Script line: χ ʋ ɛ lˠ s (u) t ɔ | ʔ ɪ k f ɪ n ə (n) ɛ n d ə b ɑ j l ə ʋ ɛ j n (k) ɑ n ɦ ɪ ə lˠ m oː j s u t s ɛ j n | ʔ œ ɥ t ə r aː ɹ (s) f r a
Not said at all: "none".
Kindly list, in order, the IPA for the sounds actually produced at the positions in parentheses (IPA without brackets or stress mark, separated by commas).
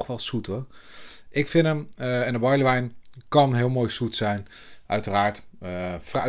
u, m, k, t